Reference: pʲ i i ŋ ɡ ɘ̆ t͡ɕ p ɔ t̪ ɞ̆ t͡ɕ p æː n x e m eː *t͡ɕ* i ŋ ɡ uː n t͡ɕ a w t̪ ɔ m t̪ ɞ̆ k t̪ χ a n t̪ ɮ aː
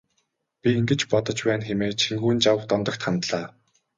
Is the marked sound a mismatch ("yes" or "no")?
yes